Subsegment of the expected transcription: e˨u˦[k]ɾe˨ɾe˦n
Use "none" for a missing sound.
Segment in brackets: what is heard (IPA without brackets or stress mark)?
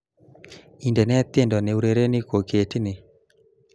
none